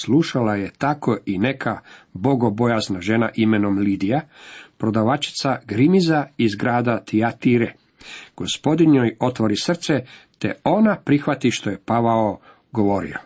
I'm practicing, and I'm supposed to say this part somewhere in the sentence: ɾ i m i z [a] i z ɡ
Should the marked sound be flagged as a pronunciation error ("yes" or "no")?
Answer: no